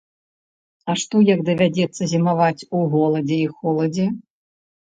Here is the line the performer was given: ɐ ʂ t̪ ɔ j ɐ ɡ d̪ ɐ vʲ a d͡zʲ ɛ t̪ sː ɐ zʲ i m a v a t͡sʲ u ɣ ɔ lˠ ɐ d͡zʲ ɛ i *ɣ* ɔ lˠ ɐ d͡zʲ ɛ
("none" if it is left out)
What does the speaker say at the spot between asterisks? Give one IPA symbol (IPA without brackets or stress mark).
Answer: x